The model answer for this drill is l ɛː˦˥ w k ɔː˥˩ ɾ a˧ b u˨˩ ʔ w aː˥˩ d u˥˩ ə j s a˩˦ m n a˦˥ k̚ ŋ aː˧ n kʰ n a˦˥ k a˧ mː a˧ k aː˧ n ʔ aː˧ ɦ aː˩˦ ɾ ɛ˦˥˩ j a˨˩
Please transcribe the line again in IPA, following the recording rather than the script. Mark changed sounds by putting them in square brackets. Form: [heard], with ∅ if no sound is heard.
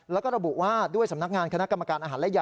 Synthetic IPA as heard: l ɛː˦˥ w k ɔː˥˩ ɾ a˧ b u˨˩ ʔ w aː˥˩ d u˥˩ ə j s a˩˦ m n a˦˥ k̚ ŋ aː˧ n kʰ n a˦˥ k a˧ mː a˧ k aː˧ n ʔ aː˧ ɦ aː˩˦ [l] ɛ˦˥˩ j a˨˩